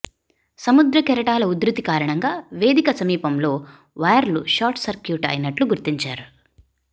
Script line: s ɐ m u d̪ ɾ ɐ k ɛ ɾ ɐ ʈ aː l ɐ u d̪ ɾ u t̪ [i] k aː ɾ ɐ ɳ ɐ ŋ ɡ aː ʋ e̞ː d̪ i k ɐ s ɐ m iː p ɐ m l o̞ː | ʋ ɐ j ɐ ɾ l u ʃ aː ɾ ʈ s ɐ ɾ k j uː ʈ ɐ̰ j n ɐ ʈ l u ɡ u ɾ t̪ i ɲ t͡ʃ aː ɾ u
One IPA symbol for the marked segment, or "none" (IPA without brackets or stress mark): i